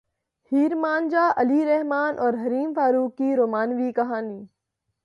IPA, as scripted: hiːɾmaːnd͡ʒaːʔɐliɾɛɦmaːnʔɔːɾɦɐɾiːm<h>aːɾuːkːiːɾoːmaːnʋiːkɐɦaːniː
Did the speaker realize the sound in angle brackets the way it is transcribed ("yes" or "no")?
no